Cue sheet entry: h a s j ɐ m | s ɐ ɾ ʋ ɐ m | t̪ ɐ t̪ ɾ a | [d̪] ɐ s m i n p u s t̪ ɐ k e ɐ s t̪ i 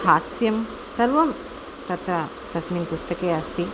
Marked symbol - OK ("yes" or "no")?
no